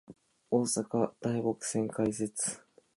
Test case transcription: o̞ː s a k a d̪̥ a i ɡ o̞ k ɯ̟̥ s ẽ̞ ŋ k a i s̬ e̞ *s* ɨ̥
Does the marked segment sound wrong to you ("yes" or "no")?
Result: yes